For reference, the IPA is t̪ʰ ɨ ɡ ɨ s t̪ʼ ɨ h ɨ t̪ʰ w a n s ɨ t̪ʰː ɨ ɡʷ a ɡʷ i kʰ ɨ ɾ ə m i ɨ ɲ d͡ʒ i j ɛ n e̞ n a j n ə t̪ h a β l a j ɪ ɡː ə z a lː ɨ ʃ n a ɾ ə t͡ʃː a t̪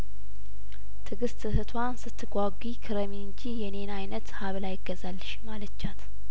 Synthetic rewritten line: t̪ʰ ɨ ɡ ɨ s t̪ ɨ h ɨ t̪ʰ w a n s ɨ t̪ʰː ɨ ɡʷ a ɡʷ i kʰ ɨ ɾ ə m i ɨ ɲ d͡ʒ i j ɛ n e̞ n a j n ə t̪ h a β l a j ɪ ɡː ə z a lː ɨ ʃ m a l ə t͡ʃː a t̪